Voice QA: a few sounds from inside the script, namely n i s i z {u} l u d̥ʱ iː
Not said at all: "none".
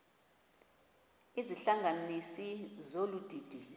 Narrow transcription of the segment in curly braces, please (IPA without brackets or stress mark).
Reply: o